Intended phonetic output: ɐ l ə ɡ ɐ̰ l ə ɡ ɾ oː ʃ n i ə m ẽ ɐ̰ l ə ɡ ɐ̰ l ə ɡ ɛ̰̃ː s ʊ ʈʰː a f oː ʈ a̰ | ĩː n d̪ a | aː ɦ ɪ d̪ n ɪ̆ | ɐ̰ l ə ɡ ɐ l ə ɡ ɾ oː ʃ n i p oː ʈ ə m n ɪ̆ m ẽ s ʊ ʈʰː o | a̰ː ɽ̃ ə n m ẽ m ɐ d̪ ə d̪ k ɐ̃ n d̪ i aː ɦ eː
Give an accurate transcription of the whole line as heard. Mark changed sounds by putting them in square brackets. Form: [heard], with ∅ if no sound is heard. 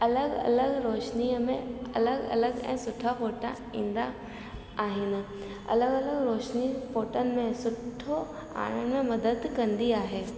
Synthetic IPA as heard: ɐ l ə ɡ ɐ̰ l ə ɡ ɾ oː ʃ n i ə m ẽ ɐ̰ l ə ɡ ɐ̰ l ə ɡ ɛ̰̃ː s ʊ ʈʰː a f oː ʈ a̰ | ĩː n d̪ a | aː ɦ ɪ [∅] n ɪ̆ | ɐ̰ l ə ɡ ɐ l ə ɡ ɾ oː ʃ n i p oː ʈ ə [∅] n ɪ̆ m ẽ s ʊ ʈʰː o | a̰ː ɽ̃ ə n m ẽ m ɐ d̪ ə d̪ k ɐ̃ n d̪ i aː ɦ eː